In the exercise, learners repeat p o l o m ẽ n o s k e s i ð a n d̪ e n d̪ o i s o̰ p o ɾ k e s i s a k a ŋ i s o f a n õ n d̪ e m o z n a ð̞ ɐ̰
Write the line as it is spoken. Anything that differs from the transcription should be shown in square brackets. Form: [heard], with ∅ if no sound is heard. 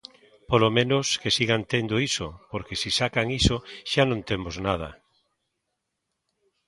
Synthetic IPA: p o l o m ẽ n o s k e s i [ɣ] a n [t̪] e n d̪ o i s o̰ p o ɾ k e s i s a k a ŋ i s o [ʃ] a n õ n [t̪] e m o z n a ð̞ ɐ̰